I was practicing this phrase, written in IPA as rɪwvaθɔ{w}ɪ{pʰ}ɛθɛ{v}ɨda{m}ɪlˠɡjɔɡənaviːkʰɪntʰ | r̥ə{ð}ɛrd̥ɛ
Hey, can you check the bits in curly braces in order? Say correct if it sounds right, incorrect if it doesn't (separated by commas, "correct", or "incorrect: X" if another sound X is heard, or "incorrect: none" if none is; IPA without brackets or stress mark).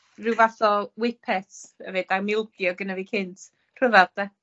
correct, correct, correct, correct, incorrect: v